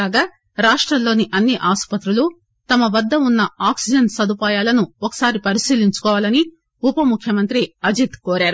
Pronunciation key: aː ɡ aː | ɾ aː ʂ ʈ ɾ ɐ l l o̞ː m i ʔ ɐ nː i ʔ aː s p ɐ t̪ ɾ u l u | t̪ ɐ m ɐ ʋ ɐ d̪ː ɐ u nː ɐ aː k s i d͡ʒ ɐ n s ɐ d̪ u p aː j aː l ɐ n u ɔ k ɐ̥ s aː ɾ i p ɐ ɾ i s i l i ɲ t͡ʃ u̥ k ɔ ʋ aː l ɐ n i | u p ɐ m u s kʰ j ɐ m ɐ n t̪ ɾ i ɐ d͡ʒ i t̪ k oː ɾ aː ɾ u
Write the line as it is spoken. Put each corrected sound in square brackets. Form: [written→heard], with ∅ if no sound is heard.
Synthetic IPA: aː ɡ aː | ɾ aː ʂ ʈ ɾ ɐ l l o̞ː [m→n] i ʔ ɐ nː i ʔ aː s p ɐ t̪ ɾ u l u | t̪ ɐ m ɐ ʋ ɐ d̪ː ɐ u nː ɐ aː k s i d͡ʒ ɐ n s ɐ d̪ u p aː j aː l ɐ n u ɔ k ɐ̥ s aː ɾ i p ɐ ɾ i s [i→iː] l i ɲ t͡ʃ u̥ k [ɔ→ɔː] ʋ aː l ɐ n i | u p ɐ m u [s→∅] kʰ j ɐ m ɐ n t̪ ɾ i ɐ d͡ʒ i t̪ k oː ɾ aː ɾ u